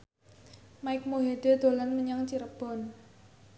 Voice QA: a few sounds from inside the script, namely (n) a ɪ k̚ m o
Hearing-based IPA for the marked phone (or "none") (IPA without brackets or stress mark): m